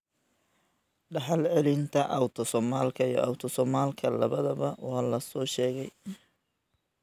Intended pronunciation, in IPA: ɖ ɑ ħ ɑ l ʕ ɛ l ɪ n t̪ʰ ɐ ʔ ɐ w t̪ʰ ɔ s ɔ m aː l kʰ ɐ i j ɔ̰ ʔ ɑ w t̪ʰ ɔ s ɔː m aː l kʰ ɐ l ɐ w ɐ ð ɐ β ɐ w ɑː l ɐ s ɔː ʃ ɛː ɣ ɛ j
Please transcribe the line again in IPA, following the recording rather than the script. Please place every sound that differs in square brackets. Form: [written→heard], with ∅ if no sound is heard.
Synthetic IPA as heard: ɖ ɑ ħ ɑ l ʕ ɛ l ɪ n t̪ʰ ɐ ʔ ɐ w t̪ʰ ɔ s ɔ m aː l kʰ ɐ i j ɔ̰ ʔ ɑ w t̪ʰ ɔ s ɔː m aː l kʰ ɐ l ɐ [w→β] ɐ ð ɐ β ɐ w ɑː l ɐ s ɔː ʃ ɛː ɣ ɛ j